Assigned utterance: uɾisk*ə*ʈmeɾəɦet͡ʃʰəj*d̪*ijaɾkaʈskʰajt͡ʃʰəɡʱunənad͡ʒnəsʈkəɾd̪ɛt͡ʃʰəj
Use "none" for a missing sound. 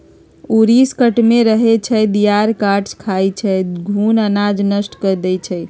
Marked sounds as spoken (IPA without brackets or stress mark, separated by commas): ə, d̪